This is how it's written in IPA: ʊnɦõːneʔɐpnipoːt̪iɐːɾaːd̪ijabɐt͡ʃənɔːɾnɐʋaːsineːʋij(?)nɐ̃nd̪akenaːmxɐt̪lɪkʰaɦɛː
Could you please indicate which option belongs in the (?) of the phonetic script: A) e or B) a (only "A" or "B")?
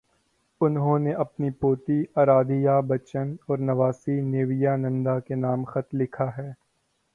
B